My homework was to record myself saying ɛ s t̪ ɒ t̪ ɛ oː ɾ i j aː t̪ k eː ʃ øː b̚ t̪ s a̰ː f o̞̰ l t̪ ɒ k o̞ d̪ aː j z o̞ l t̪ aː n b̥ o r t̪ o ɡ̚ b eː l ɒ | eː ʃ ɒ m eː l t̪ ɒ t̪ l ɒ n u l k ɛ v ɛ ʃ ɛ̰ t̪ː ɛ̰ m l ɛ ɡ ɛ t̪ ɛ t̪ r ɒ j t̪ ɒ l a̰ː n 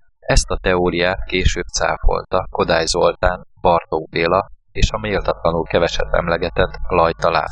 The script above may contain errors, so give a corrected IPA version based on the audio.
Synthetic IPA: ɛ s t̪ ɒ t̪ ɛ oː ɾ i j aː t̪ k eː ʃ øː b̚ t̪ s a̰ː f o̞̰ l t̪ ɒ k o̞ d̪ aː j z o̞ l t̪ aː n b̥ ɒ r t̪ o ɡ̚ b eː l ɒ | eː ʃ ɒ m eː l t̪ ɒ t̪ l ɒ n u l k ɛ v ɛ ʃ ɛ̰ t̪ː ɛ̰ m l ɛ ɡ ɛ t̪ ɛ t̪ l ɒ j t̪ ɒ l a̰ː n